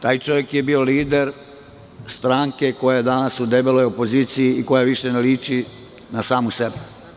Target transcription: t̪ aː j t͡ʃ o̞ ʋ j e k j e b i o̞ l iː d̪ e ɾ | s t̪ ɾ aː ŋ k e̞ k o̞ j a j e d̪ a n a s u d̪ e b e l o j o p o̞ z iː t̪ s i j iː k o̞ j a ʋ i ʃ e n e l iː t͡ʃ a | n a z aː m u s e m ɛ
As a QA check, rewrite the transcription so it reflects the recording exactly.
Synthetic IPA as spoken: t̪ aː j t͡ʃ o̞ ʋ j e k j e b i o̞ l iː d̪ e ɾ | s t̪ ɾ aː ŋ k e̞ k o̞ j a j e d̪ a n a s u d̪ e b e l o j o p o̞ z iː t̪ s i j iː k o̞ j a ʋ i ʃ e n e l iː t͡ʃ i | n a s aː m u s e b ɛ